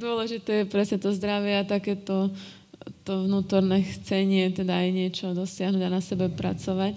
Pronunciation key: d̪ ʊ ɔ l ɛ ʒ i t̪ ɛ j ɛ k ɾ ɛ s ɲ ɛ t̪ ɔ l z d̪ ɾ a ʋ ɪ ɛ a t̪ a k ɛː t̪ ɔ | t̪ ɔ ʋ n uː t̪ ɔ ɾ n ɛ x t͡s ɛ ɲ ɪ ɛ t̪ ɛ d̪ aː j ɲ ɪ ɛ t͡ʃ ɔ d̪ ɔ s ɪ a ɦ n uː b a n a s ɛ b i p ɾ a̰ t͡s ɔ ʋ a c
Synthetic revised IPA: d̪ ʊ ɔ l ɛ ʒ i t̪ ɛ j ɛ p ɾ ɛ s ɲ ɛ t̪ ɔ z d̪ ɾ a ʋ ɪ ɛ a t̪ a k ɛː t̪ ɔ | t̪ ɔ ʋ n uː t̪ ɔ ɾ n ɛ x t͡s ɛ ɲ ɪ ɛ t̪ ɛ d̪ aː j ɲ ɪ ɛ t͡ʃ ɔ d̪ ɔ s ɪ a ɦ n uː ɟ a n a s ɛ b ɛ p ɾ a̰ t͡s ɔ ʋ a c